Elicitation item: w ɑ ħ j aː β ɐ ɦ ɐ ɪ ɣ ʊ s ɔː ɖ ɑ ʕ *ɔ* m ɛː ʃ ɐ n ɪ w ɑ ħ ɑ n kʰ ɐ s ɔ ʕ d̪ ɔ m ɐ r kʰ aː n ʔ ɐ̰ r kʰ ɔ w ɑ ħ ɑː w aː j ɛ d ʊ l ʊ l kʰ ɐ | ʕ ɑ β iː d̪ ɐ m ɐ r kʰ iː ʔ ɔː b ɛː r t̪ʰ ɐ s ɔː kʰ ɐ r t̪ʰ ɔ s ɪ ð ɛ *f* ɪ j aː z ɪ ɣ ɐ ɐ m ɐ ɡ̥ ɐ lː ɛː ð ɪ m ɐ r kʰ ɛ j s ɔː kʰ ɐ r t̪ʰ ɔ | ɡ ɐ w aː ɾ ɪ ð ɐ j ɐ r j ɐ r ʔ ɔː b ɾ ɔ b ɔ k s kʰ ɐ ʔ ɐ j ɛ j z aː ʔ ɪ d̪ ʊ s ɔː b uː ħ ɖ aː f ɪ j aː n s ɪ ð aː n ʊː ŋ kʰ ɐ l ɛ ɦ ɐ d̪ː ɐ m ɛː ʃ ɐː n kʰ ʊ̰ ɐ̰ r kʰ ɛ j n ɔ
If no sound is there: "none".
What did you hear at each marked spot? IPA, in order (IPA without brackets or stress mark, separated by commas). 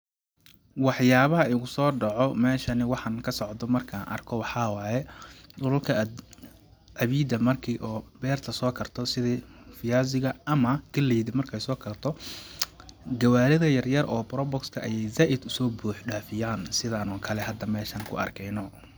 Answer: ɔ, f